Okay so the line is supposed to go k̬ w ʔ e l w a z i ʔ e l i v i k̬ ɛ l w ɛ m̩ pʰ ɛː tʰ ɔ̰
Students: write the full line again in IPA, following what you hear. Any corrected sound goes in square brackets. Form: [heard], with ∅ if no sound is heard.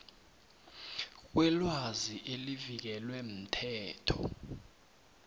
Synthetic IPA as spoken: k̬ w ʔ [ɛ] l w a z i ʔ e l i v i k̬ ɛ l w ɛ m̩ [tʰ] ɛː tʰ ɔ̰

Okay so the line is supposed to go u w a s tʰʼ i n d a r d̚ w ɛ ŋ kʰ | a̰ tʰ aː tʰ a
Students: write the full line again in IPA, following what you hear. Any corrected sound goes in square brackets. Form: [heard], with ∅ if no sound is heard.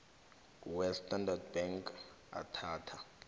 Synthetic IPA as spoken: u w [ɛ] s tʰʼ [a] n d a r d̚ [b] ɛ ŋ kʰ | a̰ tʰ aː tʰ a

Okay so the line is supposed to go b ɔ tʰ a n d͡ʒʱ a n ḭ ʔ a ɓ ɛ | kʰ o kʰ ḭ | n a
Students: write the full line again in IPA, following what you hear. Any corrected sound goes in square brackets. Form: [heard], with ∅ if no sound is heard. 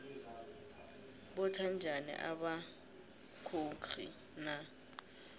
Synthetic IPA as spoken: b ɔ tʰ a n d͡ʒʱ a n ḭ ʔ a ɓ [a] | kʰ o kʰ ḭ | n a

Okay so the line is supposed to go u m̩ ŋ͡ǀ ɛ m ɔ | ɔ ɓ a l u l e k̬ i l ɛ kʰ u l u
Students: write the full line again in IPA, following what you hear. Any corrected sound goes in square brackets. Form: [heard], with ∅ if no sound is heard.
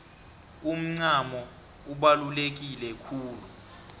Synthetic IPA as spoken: u m̩ ŋ͡ǀ [a] m ɔ | [u] ɓ a l u l e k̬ i l ɛ kʰ [uː] l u

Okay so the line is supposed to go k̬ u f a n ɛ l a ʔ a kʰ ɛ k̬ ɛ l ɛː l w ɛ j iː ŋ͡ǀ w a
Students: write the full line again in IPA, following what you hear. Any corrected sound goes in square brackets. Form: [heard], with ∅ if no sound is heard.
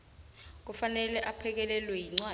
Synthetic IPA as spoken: k̬ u f a n ɛ l [ɛ] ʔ a [pʰ] ɛ k̬ ɛ l [ɛ] l w ɛ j [i] ŋ͡ǀ w a

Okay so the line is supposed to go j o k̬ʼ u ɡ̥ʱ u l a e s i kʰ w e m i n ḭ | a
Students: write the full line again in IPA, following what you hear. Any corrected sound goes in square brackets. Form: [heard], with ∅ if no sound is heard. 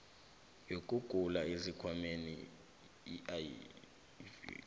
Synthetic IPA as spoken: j o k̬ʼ u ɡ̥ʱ u l a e [z] i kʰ w [a] m [e] n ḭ | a

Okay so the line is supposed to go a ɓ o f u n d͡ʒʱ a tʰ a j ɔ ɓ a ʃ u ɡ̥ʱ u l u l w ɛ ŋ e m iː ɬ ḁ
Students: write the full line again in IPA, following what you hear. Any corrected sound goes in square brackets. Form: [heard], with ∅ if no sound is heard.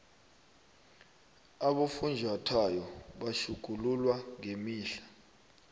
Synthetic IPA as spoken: a ɓ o f u n d͡ʒʱ a tʰ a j ɔ ɓ a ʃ u ɡ̥ʱ u l u l w [a] ŋ e m iː ɬ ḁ

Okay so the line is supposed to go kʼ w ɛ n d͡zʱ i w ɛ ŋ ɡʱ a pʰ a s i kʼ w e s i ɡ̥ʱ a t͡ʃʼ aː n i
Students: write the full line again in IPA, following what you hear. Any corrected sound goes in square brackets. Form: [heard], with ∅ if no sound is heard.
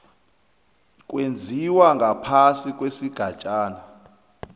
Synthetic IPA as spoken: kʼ w [e] n d͡zʱ i w [a] ŋ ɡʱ a pʰ a s i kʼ w e s i ɡ̥ʱ a t͡ʃʼ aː n [a]

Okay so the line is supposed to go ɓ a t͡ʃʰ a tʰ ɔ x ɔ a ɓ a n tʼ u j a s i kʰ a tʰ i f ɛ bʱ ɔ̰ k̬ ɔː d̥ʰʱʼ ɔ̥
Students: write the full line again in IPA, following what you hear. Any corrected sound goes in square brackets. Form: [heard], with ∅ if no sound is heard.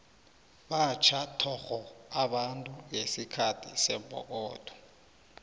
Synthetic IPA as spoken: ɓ a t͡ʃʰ a tʰ ɔ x ɔ a ɓ a n tʼ u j [e] s i kʰ a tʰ i [s] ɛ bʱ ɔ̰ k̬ ɔː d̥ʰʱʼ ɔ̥

